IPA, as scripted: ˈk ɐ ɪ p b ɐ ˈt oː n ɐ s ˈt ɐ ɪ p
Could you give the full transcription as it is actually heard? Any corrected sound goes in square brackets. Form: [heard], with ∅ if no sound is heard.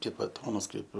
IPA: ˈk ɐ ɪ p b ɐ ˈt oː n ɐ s [ˈk] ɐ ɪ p

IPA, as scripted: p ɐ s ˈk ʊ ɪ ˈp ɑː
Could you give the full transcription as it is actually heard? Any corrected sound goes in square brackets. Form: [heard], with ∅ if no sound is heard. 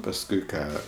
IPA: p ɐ s ˈk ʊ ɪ [ˈk] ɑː

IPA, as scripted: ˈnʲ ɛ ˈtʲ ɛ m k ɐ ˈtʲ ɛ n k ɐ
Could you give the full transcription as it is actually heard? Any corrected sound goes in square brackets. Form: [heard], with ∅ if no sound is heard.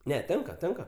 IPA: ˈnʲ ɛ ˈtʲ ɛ [ŋ] k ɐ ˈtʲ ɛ [ŋ] k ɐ

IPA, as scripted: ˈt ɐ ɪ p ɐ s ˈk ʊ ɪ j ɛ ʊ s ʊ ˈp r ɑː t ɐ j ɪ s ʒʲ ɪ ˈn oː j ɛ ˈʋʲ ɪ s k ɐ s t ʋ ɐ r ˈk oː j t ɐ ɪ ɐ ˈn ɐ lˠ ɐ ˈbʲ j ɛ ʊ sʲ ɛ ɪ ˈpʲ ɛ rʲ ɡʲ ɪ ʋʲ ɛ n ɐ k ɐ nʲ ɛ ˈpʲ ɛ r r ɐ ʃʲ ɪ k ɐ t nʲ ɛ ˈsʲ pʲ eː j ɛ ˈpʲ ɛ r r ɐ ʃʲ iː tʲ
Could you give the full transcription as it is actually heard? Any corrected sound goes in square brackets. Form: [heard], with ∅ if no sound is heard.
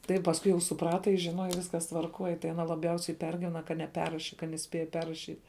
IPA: ˈt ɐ ɪ p ɐ s ˈk ʊ ɪ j ɛ ʊ s ʊ ˈp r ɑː t ɐ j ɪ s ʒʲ ɪ ˈn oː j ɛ ˈʋʲ ɪ s k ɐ s t ʋ ɐ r ˈk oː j t ɐ ɪ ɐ ˈn ɐ lˠ ɐ ˈbʲ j ɛ ʊ sʲ ɛ ɪ ˈpʲ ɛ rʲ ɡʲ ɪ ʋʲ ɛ n ɐ k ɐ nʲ ɛ ˈpʲ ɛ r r ɐ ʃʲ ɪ k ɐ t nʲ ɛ ˈsʲ pʲ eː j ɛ ˈpʲ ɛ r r ɐ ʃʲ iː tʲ

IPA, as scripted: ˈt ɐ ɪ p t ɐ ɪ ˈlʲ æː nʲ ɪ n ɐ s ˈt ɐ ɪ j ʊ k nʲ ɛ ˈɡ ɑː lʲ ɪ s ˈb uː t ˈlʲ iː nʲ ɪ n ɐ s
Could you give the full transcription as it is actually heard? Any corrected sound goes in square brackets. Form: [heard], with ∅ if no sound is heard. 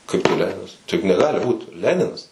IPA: [ˈk] ɐ ɪ p t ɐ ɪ ˈlʲ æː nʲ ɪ n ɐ s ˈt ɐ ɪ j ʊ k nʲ ɛ ˈɡ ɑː lʲ ɪ [∅] ˈb uː t ˈlʲ [æː] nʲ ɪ n ɐ s

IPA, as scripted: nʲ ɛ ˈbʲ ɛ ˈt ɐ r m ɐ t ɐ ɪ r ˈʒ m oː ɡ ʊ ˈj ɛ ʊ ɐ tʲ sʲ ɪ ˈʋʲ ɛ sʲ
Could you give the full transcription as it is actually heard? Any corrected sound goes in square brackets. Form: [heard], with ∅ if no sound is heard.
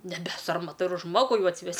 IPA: nʲ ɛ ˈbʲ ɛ [ˈs] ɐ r m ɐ t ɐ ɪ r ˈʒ m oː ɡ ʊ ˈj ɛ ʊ ɐ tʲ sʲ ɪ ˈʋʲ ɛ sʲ

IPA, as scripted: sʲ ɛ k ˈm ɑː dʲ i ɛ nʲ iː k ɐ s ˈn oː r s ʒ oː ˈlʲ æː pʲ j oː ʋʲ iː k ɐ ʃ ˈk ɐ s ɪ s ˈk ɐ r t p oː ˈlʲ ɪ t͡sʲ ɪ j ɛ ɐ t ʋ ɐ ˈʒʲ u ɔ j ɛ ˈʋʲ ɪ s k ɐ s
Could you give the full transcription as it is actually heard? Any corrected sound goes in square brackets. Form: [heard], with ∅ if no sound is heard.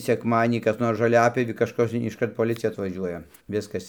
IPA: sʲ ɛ k ˈm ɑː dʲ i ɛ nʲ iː k ɐ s ˈn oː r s ʒ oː ˈlʲ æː pʲ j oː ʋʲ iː k ɐ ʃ ˈk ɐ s ɪ [ʃ] ˈk ɐ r t p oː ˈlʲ ɪ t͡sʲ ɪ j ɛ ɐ t ʋ ɐ ˈʒʲ u ɔ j ɛ ˈʋʲ ɪ s k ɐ s

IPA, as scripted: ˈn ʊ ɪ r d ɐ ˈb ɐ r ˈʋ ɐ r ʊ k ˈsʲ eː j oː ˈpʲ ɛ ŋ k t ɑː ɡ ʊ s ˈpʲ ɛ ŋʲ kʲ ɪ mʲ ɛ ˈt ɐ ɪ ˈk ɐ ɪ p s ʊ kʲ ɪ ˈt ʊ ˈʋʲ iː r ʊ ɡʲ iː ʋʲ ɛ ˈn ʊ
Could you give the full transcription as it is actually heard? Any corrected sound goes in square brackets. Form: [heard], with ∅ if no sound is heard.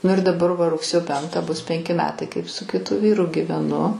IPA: ˈn ʊ ɪ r d ɐ ˈb ɐ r ˈʋ ɐ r ʊ k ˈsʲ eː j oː ˈpʲ ɛ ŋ k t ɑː [b] ʊ s ˈpʲ ɛ ŋʲ kʲ ɪ mʲ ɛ ˈt ɐ ɪ ˈk ɐ ɪ p s ʊ kʲ ɪ ˈt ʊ ˈʋʲ iː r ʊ ɡʲ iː ʋʲ ɛ ˈn ʊ

